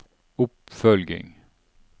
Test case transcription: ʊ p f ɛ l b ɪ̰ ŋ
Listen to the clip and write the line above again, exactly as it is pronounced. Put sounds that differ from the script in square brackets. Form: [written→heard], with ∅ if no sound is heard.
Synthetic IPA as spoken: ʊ p f [ɛ→œ] l [b→ɡ] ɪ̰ ŋ